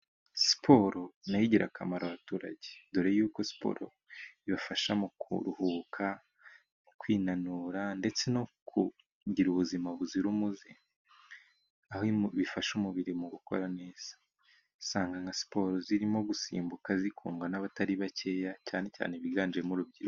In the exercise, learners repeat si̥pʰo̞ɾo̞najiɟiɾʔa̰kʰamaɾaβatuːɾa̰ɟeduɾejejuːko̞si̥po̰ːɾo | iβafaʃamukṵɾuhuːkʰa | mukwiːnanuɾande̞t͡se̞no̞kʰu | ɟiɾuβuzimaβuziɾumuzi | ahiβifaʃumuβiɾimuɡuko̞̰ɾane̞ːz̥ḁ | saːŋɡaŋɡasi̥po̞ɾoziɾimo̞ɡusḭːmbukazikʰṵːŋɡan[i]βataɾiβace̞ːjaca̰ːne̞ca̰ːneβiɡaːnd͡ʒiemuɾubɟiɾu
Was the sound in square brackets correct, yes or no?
no